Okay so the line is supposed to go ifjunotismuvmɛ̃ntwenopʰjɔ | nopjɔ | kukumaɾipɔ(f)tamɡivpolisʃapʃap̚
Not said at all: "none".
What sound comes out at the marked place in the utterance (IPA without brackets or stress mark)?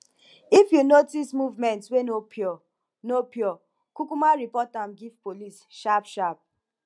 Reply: none